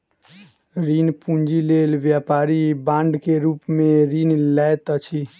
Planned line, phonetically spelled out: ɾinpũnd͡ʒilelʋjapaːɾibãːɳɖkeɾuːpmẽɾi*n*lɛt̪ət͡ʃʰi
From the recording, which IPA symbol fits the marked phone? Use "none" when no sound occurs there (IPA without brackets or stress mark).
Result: n